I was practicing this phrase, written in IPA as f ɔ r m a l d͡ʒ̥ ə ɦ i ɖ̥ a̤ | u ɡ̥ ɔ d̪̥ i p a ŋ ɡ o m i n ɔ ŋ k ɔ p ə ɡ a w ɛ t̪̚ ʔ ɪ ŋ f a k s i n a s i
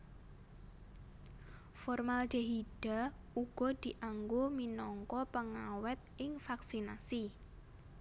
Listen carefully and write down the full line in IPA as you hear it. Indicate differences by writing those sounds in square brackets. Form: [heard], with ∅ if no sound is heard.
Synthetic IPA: f ɔ r m a l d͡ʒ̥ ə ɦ i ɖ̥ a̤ | u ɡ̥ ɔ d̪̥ i [ʔ] a ŋ ɡ o m i n ɔ ŋ k ɔ p ə [ŋ] a w ɛ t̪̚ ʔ ɪ ŋ f a k s i n a s i